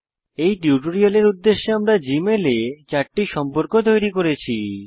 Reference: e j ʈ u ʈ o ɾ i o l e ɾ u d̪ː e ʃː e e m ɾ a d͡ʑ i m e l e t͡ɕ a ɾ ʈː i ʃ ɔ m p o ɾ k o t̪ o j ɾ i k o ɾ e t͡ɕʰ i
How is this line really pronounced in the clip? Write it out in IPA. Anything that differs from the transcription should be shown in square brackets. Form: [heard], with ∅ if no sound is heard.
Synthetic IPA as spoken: e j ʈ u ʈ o ɾ i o l e ɾ u d̪ː e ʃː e [a] m ɾ a d͡ʑ i m e l e t͡ɕ a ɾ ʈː i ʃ ɔ m p o ɾ k o t̪ o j ɾ i k o ɾ e t͡ɕʰ i

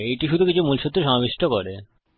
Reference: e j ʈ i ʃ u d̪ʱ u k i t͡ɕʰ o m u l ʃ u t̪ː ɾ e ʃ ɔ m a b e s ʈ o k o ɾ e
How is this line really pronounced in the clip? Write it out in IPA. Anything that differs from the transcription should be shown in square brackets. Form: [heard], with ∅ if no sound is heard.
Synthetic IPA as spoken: e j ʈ i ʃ u d̪ʱ u k i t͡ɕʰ [u] m u l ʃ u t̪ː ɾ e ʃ ɔ m a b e [ʃ] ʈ o k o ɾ e

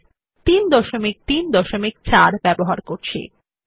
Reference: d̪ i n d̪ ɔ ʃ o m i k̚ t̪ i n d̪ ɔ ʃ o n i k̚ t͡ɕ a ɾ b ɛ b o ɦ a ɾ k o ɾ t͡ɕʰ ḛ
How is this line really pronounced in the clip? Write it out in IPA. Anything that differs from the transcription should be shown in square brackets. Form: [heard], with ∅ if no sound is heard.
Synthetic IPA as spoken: [t̪] i n d̪ ɔ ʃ o m i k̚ t̪ i n d̪ ɔ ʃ o [m] i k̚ t͡ɕ a ɾ b ɛ b o ɦ a ɾ k o ɾ t͡ɕʰ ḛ

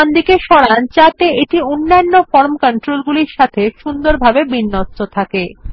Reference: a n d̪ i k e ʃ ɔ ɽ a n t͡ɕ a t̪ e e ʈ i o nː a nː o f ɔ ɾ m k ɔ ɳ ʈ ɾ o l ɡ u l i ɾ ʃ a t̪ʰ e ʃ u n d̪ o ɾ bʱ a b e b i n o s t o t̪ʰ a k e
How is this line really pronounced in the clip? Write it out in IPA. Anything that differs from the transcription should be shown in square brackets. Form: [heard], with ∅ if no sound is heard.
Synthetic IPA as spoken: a n d̪ i k e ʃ ɔ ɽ a n t͡ɕ a t̪ e e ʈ i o nː a nː o f ɔ ɾ m k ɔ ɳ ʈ ɾ o l ɡ u l i ɾ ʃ a t̪ʰ e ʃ u n d̪ o ɾ bʱ a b e b i [nː] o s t o t̪ʰ a k e

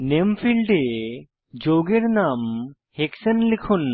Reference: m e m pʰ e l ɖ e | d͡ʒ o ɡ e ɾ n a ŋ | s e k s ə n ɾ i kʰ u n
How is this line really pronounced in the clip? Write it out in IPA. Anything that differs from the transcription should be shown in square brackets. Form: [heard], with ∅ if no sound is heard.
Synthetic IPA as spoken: [n] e m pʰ [i] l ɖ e | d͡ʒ o ɡ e ɾ n a [m] | [h] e k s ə n [l] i kʰ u n

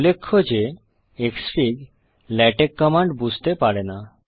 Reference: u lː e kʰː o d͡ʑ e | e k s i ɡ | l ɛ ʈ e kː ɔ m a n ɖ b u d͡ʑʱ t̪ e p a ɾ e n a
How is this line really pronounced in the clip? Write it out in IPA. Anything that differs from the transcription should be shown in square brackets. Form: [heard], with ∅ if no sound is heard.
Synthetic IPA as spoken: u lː e kʰː o d͡ʑ e | e k s i ɡ | l ɛ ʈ e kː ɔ m a [ɳ] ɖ b u d͡ʑʱ t̪ e p a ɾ e n a

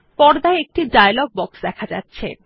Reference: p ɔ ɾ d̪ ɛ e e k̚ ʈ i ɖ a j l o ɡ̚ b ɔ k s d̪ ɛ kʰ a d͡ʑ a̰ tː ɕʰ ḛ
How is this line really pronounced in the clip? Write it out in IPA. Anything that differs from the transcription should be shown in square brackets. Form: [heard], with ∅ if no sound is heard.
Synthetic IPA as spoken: p ɔ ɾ d̪ [a] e e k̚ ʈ i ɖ a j l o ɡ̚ b ɔ k s d̪ ɛ kʰ a d͡ʑ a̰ tː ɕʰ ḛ

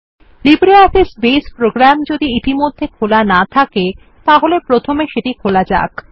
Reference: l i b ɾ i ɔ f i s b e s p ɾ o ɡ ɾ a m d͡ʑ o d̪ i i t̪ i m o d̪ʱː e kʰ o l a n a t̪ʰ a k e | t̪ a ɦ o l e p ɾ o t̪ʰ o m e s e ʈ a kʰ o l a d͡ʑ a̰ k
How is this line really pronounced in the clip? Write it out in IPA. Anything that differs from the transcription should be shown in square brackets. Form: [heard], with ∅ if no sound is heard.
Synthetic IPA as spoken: l i b ɾ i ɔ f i s b e s p ɾ o ɡ ɾ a m d͡ʑ o d̪ i i t̪ i m o d̪ʱː e kʰ o l a n a t̪ʰ a k e | t̪ a ɦ o l e p ɾ o t̪ʰ o m e [ʃ] e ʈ [i] kʰ o l a d͡ʑ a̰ k

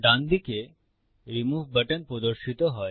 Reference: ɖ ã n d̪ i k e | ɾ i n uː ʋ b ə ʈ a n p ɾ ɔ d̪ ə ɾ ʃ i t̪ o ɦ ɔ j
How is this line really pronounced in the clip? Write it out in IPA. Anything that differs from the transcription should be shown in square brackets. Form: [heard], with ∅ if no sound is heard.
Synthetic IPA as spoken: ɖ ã n d̪ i k e | ɾ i [m] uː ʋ b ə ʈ [ə] n p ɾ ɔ d̪ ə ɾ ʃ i t̪ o ɦ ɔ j

